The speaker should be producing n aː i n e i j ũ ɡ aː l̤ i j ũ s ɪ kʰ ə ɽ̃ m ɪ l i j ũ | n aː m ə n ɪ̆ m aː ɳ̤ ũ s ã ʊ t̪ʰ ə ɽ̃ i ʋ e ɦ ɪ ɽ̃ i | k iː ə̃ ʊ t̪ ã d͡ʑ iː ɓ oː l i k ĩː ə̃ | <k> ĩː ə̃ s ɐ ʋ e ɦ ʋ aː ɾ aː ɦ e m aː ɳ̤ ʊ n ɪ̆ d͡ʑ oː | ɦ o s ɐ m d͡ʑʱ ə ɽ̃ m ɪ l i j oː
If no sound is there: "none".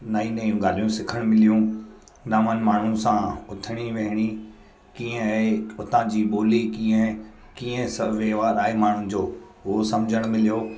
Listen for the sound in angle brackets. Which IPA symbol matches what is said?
k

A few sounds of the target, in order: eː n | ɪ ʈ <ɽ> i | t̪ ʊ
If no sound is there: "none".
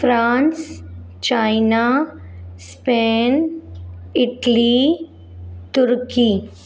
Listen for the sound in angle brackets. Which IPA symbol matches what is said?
l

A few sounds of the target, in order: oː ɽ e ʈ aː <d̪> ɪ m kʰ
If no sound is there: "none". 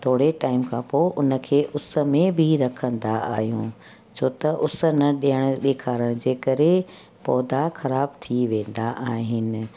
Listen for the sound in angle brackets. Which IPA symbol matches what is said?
none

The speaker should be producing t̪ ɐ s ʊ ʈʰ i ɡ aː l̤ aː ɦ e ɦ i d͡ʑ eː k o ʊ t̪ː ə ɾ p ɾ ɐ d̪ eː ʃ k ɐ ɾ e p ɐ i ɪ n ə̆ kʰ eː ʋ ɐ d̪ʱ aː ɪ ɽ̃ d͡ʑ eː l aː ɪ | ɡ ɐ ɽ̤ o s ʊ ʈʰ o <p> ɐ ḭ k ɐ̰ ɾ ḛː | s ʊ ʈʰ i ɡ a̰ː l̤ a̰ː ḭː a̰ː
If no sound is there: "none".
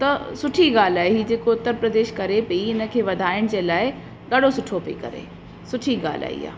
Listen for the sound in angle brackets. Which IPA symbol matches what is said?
p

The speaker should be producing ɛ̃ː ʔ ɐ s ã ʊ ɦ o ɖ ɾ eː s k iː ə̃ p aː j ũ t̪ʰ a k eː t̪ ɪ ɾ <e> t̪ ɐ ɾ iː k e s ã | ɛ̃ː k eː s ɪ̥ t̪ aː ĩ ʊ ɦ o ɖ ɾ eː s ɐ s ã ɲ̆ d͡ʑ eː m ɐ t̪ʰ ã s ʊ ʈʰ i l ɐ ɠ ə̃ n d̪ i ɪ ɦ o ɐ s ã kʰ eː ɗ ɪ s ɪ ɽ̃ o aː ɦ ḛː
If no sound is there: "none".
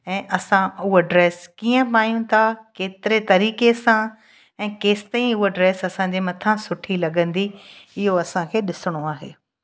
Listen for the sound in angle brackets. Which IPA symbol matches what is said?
e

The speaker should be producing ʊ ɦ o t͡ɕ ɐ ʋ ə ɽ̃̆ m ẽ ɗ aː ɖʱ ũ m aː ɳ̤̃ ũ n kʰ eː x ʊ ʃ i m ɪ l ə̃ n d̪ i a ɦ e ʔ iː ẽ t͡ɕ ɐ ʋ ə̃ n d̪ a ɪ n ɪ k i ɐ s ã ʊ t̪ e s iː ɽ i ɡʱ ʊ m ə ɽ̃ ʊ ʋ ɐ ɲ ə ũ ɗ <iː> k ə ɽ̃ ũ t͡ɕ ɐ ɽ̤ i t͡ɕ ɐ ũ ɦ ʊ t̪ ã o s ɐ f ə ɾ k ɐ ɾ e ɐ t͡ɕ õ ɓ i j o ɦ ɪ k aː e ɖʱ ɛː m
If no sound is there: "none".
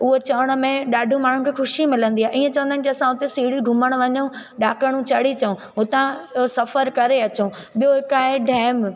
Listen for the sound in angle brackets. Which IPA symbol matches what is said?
aː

